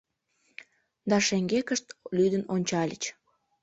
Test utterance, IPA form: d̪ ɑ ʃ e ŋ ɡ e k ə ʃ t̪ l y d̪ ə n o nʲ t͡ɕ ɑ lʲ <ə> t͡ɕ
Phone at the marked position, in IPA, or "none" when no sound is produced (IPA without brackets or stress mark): ə